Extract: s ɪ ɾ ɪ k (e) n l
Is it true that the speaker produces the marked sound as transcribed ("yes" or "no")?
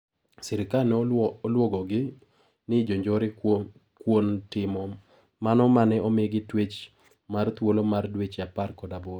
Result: no